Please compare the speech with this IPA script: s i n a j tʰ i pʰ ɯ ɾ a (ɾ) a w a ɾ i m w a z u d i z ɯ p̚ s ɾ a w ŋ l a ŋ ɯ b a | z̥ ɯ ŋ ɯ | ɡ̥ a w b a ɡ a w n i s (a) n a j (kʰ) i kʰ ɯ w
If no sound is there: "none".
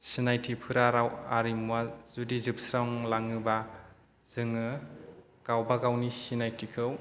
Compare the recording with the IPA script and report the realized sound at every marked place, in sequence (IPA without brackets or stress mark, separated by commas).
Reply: ɾ, i, tʰ